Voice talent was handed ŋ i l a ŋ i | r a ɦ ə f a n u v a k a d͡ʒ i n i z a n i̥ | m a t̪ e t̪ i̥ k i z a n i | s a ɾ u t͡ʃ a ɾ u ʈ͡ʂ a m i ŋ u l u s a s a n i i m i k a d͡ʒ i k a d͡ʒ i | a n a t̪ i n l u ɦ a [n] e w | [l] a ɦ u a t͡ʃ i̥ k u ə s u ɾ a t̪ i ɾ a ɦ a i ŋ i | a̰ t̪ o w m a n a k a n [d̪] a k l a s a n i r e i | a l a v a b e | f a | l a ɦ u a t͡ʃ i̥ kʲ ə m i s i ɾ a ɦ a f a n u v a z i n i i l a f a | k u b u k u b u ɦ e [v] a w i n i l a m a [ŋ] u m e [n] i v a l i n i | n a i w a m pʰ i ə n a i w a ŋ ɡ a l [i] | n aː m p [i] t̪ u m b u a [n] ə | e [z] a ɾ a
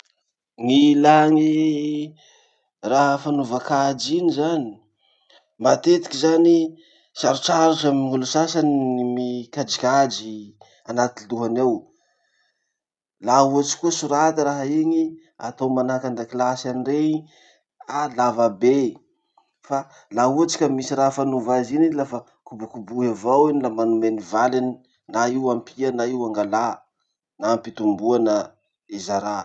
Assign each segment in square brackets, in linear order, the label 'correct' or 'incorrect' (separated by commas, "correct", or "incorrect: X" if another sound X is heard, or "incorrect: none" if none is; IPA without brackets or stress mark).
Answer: correct, correct, correct, correct, incorrect: n, correct, incorrect: a, correct, correct, correct